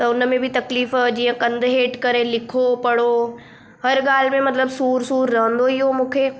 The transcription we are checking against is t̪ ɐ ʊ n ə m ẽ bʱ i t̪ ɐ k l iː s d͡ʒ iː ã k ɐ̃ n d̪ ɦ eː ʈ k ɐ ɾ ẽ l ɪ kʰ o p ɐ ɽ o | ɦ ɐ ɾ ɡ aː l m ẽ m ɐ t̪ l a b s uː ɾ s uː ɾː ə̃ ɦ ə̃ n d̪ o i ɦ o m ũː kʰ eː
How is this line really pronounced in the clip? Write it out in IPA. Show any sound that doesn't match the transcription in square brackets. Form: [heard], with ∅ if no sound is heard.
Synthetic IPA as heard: t̪ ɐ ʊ n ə m ẽ bʱ i t̪ ɐ k l iː [f] d͡ʒ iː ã k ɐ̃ n d̪ ɦ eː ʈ k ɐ ɾ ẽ l ɪ kʰ o p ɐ ɽ o | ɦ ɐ ɾ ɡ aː l m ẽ m ɐ t̪ l [ə] b s uː ɾ s uː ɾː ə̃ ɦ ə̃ n d̪ o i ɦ o m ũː kʰ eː